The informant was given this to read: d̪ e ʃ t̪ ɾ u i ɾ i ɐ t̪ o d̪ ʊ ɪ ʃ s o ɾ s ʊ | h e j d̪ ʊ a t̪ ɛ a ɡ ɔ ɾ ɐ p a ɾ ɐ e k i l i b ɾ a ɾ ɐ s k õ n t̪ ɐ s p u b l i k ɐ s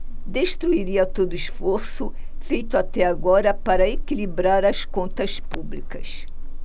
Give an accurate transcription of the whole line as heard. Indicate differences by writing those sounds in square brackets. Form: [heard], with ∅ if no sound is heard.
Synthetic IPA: d̪ e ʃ t̪ ɾ u i ɾ i ɐ t̪ o d̪ ʊ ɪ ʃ [f] o ɾ s ʊ | [f] e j [t̪] ʊ a t̪ ɛ a ɡ ɔ ɾ ɐ p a ɾ ɐ e k i l i b ɾ a ɾ ɐ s k õ n t̪ ɐ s p u b l i k ɐ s